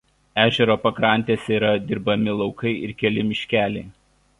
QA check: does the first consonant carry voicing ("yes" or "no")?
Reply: yes